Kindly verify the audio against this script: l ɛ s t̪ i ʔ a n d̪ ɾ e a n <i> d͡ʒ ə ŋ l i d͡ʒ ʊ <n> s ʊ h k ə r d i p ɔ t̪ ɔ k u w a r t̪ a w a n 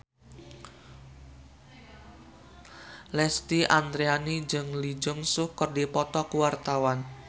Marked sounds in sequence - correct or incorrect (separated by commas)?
correct, incorrect